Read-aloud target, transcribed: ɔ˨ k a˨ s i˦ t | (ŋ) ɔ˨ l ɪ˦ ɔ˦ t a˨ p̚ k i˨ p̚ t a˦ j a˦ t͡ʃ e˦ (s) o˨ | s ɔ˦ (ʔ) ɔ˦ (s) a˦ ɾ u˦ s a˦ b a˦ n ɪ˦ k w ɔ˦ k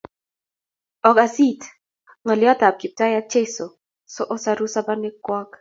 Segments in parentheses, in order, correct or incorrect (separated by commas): correct, correct, correct, correct